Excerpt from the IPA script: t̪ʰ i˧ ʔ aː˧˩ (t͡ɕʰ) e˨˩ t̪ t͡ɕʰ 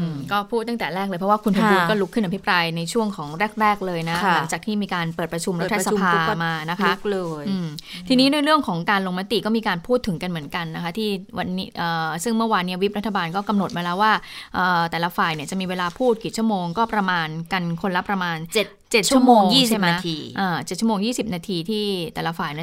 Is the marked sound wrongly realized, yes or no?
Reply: yes